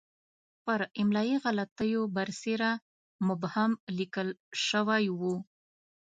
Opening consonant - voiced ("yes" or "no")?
no